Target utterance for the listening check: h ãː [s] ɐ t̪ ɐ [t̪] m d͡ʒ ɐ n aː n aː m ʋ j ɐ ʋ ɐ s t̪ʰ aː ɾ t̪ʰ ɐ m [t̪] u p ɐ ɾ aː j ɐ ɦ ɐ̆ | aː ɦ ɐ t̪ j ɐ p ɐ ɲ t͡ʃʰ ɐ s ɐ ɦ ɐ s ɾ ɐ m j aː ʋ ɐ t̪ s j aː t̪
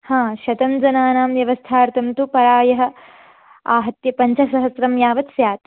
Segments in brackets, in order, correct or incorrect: incorrect: ʃ, incorrect: none, correct

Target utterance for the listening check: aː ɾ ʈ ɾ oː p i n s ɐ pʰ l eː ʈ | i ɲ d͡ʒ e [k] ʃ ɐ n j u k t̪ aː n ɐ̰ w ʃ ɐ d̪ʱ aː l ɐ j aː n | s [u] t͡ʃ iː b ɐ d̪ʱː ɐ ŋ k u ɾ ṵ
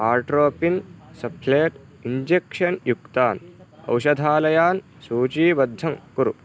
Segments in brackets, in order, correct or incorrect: correct, incorrect: uː

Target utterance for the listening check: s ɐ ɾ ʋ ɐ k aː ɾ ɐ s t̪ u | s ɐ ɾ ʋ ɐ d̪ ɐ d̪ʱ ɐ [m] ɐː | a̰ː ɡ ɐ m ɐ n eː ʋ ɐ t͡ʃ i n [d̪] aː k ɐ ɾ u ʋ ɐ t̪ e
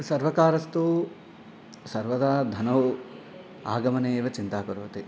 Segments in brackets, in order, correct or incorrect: incorrect: n, incorrect: t̪

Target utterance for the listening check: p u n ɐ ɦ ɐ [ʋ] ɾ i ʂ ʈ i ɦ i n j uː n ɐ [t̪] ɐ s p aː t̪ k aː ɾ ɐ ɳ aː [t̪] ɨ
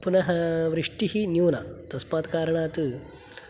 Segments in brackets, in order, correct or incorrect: correct, correct, correct

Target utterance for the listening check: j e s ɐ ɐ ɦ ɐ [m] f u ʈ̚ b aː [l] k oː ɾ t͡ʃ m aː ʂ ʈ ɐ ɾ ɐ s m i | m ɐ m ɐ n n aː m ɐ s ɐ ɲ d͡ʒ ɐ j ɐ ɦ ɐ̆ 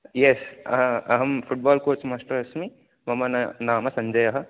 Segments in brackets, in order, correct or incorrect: correct, correct

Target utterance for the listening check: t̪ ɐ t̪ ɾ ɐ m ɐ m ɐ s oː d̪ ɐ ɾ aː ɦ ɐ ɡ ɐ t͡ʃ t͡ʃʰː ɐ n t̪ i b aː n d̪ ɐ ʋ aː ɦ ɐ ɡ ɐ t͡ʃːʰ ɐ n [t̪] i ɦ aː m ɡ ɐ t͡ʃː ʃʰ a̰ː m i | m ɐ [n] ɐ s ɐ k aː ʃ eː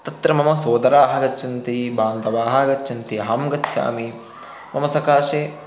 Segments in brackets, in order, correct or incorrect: correct, incorrect: m

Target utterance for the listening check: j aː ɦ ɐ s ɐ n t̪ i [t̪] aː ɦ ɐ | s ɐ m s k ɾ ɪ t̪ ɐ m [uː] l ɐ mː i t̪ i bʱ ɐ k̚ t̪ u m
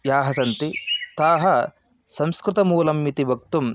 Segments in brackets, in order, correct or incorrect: correct, correct

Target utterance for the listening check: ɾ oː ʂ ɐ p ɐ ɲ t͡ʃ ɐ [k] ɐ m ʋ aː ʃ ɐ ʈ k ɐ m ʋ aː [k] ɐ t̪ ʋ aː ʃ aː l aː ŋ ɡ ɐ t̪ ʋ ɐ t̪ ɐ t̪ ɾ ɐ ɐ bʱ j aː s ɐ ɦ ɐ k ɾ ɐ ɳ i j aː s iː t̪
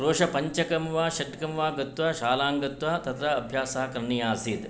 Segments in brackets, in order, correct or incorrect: correct, incorrect: ɡ

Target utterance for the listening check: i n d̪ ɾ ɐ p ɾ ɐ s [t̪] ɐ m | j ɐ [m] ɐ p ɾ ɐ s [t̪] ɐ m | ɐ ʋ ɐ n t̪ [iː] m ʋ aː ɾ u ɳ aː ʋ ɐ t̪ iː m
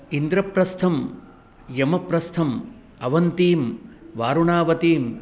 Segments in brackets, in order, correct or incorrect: incorrect: t̪ʰ, correct, incorrect: t̪ʰ, correct

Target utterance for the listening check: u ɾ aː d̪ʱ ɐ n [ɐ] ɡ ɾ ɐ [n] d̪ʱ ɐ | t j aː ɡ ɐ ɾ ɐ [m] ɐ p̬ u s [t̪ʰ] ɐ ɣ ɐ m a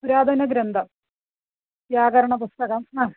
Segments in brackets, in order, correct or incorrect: correct, correct, incorrect: ɳ, incorrect: t̪

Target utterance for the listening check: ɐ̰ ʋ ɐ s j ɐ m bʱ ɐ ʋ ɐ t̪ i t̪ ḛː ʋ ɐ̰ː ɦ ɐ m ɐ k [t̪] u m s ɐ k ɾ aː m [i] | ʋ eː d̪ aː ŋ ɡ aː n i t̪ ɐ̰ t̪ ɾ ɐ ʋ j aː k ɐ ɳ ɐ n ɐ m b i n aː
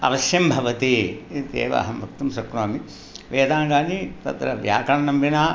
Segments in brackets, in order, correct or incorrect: correct, correct

